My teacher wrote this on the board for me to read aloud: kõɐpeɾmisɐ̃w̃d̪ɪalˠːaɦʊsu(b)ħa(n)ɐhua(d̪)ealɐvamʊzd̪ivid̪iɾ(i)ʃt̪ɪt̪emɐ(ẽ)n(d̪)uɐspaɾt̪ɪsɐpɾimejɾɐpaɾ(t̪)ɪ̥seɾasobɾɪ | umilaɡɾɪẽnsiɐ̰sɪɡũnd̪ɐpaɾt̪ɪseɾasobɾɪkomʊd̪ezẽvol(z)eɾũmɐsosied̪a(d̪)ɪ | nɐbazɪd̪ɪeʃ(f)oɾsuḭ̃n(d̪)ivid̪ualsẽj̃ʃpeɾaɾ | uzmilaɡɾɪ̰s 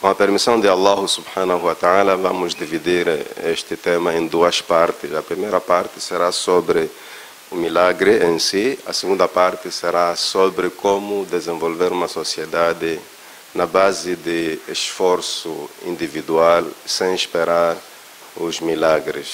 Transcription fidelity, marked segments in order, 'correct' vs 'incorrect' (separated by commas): correct, correct, incorrect, incorrect, correct, correct, correct, incorrect, correct, correct, correct